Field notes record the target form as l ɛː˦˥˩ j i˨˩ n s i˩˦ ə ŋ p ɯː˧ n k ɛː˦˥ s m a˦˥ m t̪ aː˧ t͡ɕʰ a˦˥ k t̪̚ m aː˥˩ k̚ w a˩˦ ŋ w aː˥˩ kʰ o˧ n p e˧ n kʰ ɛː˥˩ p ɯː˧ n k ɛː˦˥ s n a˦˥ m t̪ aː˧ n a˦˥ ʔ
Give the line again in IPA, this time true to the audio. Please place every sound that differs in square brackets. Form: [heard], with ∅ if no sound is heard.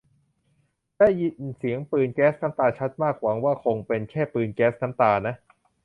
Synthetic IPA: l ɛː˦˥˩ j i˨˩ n s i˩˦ ə ŋ p ɯː˧ n k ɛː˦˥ s [n] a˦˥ m t̪ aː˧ t͡ɕʰ a˦˥ [∅] t̪̚ m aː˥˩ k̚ w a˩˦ ŋ w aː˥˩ kʰ o˧ [ŋ] p e˧ n kʰ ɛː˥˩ p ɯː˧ n k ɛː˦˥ s n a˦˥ m t̪ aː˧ n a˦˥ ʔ